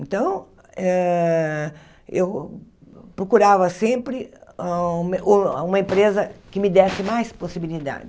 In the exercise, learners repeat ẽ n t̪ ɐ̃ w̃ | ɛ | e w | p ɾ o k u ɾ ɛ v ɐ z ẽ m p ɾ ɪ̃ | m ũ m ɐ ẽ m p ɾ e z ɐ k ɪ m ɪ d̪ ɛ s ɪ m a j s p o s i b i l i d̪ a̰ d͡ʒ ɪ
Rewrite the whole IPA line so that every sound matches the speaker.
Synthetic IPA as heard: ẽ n t̪ ɐ̃ w̃ | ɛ | e w | p ɾ o k u ɾ a v ɐ s ẽ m p ɾ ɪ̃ | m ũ m ɐ ẽ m p ɾ e z ɐ k ɪ m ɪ d̪ ɛ s ɪ m a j s p o s i b i l i d̪ a̰ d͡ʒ ɪ